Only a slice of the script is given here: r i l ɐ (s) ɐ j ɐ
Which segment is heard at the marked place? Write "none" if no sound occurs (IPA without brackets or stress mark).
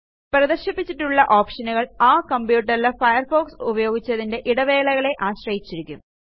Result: f